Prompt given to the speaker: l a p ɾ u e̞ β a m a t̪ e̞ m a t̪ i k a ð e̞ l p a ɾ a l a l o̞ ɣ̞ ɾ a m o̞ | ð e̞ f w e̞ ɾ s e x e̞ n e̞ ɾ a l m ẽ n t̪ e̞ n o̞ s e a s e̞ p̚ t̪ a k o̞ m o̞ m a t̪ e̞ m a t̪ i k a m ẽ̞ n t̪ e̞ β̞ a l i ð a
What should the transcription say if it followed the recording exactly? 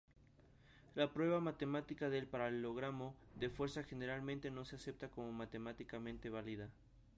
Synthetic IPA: l a p ɾ w e̞ β a m a t̪ e̞ m a t̪ i k a ð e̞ l p a ɾ a l e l o̞ ɣ̞ ɾ a m o̞ | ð e̞ f w e̞ ɾ s a x e̞ n e̞ ɾ a l m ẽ n t̪ e̞ n o̞ s e a s e̞ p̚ t̪ a k o̞ m o̞ m a t̪ e̞ m a t̪ i k a m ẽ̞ n t̪ e̞ β̞ a l i ð a

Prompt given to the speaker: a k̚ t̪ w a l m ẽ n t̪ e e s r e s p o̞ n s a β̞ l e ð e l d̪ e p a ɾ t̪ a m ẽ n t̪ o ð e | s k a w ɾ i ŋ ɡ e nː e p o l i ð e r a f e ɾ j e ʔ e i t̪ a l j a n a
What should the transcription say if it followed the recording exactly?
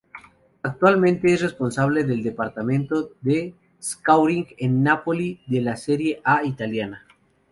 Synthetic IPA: a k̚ t̪ w a l m ẽ n t̪ e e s r e s p o̞ n s a β̞ l e ð e l d̪ e p a ɾ t̪ a m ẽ n t̪ o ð e | s k a w ɾ i ŋ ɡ e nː a p o l i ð e l a s e ɾ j e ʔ a i t̪ a l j a n a

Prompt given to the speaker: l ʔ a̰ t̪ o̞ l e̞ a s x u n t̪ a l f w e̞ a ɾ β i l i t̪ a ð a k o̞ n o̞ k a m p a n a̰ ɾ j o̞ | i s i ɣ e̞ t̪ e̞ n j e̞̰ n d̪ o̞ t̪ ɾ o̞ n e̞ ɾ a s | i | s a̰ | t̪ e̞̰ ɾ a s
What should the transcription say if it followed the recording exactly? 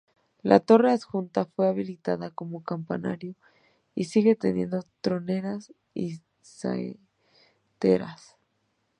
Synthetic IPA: l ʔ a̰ t̪ o̞ r e̞ a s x u n t̪ a f w e̞ a β i l i t̪ a ð a k o̞ m o̞ k a m p a n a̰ ɾ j o̞ | i s i ɣ e̞ t̪ e̞ n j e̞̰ n d̪ o̞ t̪ ɾ o̞ n e̞ ɾ a s | i | s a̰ | t̪ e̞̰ ɾ a s

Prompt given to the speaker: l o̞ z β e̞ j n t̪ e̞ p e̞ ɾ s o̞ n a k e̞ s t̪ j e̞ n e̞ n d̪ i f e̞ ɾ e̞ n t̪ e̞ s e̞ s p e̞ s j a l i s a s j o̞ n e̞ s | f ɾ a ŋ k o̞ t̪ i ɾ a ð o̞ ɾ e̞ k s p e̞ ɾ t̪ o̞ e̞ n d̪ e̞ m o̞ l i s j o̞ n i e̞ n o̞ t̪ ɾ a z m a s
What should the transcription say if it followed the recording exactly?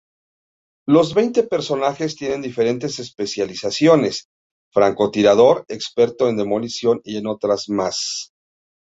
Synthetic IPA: l o̞ z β e̞ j n t̪ e̞ p e̞ ɾ s o̞ n a x e̞ s t̪ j e̞ n e̞ n d̪ i f e̞ ɾ e̞ n t̪ e̞ s e̞ s p e̞ s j a l i s a s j o̞ n e̞ s | f ɾ a ŋ k o̞ t̪ i ɾ a ð o̞ ɾ e̞ k s p e̞ ɾ t̪ o̞ e̞ n d̪ e̞ m o̞ l i s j o̞ n i e̞ n o̞ t̪ ɾ a z m a s

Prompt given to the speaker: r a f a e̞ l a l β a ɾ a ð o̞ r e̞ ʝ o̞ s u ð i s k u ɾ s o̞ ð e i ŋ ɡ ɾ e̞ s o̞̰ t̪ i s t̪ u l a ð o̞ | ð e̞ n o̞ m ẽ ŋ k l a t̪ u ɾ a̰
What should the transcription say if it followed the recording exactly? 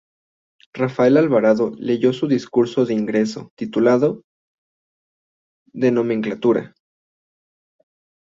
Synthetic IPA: r a f a e̞ l a l β a ɾ a ð o̞ l e̞ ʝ o̞ s u ð i s k u ɾ s o̞ ð e i ŋ ɡ ɾ e̞ s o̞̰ t̪ i t̪ u l a ð o̞ | ð e̞ n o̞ m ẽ ŋ k l a t̪ u ɾ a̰

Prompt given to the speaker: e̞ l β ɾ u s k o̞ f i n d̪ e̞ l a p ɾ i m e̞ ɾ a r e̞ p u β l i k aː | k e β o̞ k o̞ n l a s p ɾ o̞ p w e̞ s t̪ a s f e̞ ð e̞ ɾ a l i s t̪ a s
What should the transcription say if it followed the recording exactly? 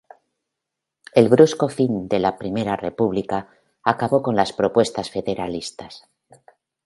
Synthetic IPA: e̞ l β ɾ u s k o̞ f i n d̪ e̞ l a p ɾ i m e̞ ɾ a r e̞ p u β l i k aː | k a β o̞ k o̞ n l a s p ɾ o̞ p w e̞ s t̪ a s f e̞ ð e̞ ɾ a l i s t̪ a s

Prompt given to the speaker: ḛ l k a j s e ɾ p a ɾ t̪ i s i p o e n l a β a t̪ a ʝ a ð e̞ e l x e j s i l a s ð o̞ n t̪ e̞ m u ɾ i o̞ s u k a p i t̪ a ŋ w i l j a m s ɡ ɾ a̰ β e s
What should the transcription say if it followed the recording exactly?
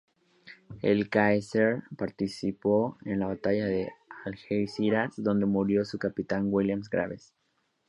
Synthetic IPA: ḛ l k a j s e ɾ p a ɾ t̪ i s i p o e n l a β a t̪ a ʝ a ð e̞ a l x e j s i ɾ a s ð o̞ n d̪ e̞ m u ɾ j o̞ s u k a p i t̪ a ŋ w i l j a m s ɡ ɾ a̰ β e s

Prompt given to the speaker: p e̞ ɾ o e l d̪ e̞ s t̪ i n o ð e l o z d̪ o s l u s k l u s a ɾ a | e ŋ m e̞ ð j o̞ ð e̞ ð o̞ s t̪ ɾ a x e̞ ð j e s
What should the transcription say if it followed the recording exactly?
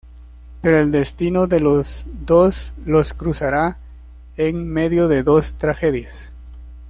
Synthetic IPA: p e̞ ɾ o e l d̪ e̞ s t̪ i n o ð e l o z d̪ o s l o s k ɾ u s a ɾ a | e ŋ m e̞ ð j o̞ ð e̞ ð o̞ s t̪ ɾ a x e̞ ð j a s

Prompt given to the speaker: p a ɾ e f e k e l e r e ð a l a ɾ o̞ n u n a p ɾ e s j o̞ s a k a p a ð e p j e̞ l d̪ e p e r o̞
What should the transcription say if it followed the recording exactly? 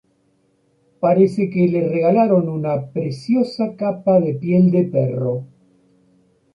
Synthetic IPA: p a ɾ e s e k e l e r e ɣ a l a ɾ o̞ n u n a p ɾ e s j o̞ s a k a p a ð e p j e̞ l d̪ e p e r o̞

